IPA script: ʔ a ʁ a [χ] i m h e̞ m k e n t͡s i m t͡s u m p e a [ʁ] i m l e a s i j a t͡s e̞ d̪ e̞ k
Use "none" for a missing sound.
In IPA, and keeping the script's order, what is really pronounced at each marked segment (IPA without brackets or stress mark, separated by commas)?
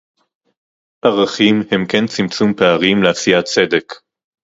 χ, ʁ